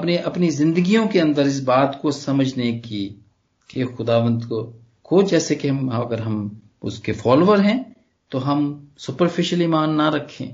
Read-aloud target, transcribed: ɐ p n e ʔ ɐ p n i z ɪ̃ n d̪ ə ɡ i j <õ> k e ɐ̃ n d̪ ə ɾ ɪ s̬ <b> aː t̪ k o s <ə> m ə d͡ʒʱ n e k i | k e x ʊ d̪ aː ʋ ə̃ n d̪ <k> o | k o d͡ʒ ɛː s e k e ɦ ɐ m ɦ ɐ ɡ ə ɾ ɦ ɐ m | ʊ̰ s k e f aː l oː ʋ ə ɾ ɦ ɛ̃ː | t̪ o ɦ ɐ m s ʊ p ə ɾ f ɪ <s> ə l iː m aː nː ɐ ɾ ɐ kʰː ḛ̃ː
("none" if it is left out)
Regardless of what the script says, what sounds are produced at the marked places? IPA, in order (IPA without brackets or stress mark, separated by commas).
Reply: õ, b, ɐ, k, ʃ